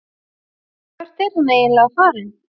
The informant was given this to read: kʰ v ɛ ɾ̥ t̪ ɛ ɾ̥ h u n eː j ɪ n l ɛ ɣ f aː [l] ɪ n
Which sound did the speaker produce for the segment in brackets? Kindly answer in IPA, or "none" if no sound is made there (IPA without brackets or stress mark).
ɾ